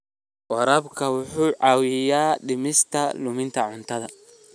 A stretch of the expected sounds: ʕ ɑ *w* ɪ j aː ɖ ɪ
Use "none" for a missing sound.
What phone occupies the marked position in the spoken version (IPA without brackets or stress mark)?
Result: w